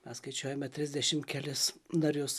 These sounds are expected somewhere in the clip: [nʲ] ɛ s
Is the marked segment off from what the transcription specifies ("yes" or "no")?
yes